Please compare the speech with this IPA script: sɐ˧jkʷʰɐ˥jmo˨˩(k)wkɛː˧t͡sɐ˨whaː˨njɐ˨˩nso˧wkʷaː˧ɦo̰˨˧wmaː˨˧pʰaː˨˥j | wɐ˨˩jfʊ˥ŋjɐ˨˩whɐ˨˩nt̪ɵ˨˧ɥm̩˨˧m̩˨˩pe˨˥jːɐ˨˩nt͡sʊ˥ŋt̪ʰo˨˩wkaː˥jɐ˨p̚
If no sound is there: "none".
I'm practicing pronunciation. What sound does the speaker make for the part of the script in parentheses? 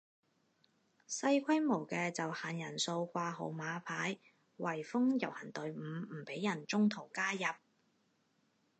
none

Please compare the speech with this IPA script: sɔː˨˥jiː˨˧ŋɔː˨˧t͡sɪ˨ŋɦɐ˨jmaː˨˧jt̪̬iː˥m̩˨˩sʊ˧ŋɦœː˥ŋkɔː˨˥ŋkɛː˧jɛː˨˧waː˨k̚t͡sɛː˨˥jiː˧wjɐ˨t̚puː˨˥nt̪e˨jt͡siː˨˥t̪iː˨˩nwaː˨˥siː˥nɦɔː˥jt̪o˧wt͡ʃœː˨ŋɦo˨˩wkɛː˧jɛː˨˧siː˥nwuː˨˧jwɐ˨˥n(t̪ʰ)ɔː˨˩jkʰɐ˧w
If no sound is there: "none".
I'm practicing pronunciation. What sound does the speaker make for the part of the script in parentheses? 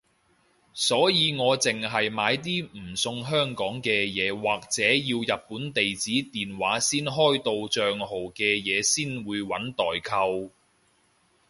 t̪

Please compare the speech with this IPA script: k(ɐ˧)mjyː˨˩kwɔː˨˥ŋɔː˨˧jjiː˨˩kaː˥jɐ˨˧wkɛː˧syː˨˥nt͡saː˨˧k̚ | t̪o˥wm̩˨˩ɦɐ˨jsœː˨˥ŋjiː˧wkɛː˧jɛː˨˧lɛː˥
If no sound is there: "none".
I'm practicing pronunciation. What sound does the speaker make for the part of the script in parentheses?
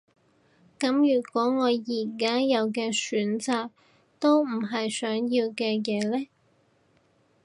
ɐ˨˥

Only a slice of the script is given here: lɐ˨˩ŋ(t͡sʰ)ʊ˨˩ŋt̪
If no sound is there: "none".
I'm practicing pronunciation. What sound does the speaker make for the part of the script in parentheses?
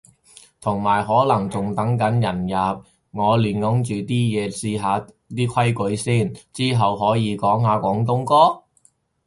t͡s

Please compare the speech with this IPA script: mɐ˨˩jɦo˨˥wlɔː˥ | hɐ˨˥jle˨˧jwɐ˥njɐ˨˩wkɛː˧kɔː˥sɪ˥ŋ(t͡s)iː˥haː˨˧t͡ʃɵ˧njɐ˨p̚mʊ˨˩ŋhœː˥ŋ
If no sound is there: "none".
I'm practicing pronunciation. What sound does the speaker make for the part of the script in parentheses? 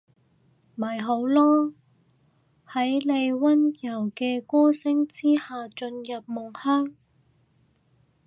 t͡s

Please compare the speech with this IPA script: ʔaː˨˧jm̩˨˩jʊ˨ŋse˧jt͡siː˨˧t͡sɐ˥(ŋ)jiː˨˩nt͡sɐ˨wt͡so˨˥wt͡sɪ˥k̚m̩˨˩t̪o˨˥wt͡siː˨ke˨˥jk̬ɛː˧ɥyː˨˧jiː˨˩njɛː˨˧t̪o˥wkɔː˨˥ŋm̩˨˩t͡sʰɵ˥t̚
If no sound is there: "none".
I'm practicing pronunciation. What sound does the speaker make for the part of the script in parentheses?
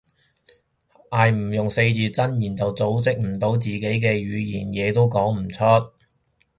n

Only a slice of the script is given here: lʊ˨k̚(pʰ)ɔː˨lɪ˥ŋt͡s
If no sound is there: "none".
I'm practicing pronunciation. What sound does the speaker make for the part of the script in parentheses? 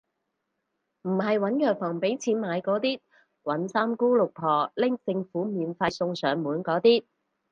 pʰ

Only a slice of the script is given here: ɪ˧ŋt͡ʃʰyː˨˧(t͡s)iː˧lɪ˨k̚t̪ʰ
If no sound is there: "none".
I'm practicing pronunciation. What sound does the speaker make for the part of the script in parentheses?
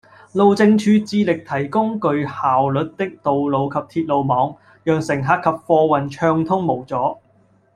t͡s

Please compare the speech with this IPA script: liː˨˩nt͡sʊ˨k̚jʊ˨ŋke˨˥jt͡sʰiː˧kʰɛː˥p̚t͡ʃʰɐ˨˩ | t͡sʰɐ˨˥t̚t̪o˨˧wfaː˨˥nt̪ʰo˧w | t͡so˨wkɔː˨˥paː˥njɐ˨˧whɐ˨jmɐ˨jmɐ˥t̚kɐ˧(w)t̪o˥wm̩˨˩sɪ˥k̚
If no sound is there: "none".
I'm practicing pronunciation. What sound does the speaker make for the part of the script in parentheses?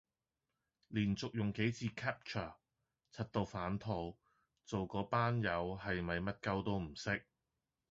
w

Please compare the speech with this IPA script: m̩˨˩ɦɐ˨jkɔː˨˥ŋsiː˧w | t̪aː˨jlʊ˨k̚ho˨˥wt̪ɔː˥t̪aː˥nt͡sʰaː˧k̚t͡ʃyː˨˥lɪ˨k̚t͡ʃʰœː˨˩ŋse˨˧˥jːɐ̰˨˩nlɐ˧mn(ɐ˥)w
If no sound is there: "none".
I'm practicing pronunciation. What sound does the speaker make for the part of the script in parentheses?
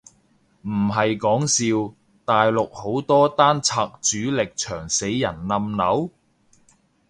ɐ˨˧˥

